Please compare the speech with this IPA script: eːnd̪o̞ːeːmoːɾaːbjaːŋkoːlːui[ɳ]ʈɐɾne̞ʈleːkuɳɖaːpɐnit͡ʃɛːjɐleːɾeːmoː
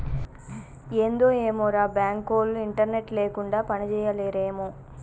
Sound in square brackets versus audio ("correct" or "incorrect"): correct